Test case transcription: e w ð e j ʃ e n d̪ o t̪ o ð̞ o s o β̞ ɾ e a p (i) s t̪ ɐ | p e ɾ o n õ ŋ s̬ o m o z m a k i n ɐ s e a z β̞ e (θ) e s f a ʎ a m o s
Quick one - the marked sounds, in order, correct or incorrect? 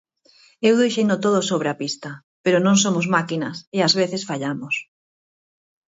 correct, correct

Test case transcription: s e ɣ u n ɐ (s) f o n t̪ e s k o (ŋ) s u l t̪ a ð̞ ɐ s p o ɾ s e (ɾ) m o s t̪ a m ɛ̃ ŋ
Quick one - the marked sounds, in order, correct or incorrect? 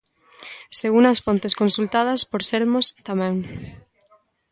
correct, incorrect, correct

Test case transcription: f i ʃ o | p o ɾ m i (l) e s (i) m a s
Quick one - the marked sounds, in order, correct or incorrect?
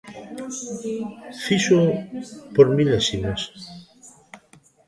correct, correct

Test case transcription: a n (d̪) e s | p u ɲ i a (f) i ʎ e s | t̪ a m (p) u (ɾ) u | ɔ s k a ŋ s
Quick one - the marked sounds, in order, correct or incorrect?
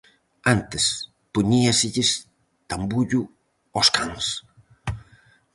incorrect, incorrect, incorrect, incorrect

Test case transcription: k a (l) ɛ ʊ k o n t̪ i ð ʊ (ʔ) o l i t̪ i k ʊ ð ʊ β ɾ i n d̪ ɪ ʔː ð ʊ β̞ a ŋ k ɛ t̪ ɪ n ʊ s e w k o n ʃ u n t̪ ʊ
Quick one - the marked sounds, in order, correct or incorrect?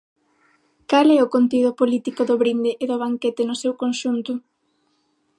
correct, incorrect

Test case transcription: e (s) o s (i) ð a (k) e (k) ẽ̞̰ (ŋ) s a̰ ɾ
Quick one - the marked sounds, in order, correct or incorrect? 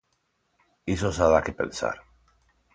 correct, incorrect, correct, incorrect, incorrect

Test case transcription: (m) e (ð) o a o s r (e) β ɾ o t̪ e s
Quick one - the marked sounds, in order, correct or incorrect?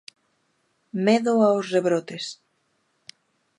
correct, correct, correct

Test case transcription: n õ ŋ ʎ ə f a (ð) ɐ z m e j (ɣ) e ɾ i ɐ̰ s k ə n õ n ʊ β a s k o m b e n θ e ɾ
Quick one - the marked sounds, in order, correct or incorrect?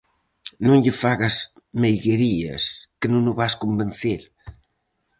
incorrect, correct

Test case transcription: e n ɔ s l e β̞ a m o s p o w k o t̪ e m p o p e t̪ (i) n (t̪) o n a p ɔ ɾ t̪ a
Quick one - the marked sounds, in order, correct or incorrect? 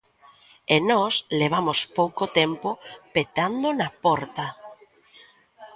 incorrect, incorrect

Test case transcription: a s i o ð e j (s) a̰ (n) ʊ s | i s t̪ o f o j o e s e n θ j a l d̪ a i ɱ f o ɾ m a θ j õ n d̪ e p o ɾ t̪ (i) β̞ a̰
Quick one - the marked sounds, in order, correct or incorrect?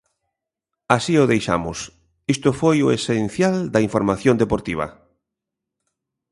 incorrect, incorrect, correct

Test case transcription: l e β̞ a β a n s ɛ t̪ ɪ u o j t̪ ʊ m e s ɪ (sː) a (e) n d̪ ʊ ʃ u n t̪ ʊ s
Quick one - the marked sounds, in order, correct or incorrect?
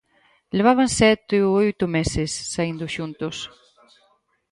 correct, incorrect

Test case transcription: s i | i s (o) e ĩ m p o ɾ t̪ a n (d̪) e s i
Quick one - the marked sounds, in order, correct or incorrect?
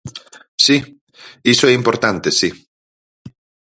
correct, incorrect

